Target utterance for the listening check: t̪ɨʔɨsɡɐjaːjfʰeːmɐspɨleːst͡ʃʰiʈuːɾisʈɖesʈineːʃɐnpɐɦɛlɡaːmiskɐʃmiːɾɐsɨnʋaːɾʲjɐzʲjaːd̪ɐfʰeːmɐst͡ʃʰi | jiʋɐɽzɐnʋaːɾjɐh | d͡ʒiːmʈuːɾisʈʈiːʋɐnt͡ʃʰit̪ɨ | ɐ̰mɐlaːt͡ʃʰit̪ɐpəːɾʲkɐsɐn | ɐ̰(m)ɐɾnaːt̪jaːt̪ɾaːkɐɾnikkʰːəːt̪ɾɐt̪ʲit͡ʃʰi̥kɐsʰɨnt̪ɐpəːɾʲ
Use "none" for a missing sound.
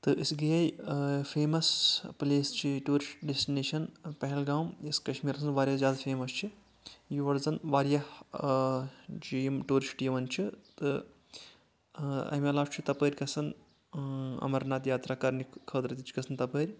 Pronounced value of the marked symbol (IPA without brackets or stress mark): m